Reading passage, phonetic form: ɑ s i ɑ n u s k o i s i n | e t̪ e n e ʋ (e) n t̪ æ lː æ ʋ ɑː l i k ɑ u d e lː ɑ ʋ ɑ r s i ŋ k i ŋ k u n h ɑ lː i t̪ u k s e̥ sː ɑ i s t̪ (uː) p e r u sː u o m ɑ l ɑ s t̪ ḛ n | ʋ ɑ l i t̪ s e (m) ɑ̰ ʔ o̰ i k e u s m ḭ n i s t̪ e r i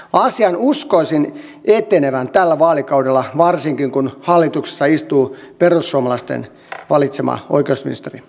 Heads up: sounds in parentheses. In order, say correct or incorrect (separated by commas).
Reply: incorrect, correct, correct